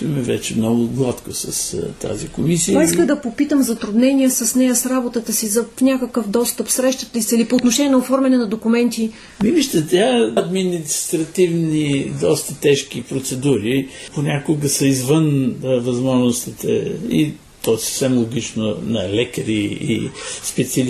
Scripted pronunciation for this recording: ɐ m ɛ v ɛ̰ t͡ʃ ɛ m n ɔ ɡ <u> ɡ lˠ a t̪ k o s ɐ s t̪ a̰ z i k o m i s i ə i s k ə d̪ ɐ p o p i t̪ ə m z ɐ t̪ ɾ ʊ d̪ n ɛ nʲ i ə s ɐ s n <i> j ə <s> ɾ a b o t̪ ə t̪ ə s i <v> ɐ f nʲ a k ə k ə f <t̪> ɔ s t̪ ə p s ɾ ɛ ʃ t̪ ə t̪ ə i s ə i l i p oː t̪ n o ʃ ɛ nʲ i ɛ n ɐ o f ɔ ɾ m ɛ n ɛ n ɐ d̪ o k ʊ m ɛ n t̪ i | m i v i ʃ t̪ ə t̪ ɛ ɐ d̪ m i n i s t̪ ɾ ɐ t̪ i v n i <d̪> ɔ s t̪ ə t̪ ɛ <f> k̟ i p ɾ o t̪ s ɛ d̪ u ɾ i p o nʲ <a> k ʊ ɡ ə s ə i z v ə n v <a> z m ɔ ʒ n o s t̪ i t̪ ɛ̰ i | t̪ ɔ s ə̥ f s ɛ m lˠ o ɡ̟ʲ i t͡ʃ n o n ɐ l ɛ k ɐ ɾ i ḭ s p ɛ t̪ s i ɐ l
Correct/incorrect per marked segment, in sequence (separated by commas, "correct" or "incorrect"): incorrect, incorrect, correct, incorrect, incorrect, correct, incorrect, correct, incorrect